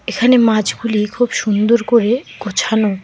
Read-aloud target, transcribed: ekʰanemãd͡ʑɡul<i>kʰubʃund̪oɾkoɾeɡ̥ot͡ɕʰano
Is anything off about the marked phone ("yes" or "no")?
no